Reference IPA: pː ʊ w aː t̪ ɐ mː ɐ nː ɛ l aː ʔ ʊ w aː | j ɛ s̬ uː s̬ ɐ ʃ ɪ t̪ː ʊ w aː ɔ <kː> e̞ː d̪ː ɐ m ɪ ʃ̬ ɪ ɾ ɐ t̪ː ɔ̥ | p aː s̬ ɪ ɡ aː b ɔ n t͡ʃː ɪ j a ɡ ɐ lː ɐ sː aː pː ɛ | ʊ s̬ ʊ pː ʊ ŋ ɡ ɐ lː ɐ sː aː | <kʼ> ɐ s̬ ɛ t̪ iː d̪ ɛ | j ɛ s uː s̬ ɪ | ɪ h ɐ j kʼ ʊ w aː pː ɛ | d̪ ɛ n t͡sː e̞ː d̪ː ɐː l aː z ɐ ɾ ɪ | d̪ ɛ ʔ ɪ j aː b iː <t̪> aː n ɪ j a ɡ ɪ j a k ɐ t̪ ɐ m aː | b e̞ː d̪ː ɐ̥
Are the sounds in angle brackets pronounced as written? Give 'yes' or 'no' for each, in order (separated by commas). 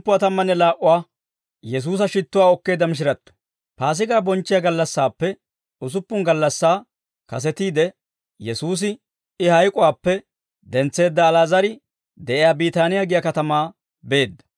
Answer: yes, no, yes